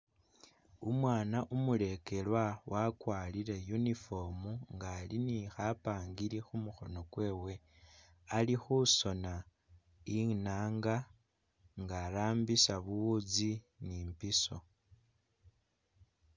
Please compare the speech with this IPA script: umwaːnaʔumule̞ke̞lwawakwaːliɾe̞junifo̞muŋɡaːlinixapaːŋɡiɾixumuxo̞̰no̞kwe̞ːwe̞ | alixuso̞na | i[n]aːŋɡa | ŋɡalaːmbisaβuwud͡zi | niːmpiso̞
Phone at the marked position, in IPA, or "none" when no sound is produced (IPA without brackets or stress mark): n